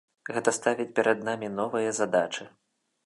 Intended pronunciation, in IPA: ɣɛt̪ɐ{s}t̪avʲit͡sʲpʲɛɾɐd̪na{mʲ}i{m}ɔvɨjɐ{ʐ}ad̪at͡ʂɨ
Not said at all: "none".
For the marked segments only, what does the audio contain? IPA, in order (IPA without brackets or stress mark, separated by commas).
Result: s, mʲ, n, z